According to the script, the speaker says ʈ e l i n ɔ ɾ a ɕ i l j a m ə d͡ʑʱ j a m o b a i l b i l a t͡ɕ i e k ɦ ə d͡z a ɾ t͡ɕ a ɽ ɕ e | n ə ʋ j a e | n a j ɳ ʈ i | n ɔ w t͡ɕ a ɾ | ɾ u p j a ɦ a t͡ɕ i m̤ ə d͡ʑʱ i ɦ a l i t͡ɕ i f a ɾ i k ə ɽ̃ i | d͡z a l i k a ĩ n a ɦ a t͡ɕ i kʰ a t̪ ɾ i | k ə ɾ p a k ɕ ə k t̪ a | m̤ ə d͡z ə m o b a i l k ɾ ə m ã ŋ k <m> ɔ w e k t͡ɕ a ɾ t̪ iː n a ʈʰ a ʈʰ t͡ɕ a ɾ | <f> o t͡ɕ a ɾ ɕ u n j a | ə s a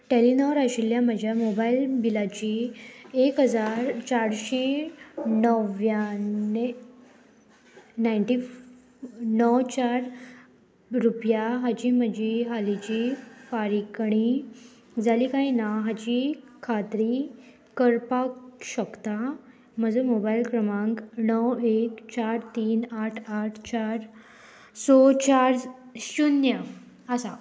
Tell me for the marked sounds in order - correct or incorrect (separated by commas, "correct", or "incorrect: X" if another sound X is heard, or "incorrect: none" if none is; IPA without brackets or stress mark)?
incorrect: n, incorrect: s